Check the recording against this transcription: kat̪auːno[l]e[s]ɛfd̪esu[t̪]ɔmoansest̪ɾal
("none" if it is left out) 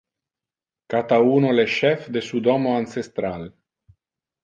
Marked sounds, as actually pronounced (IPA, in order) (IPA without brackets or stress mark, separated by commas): l, ʃ, d̪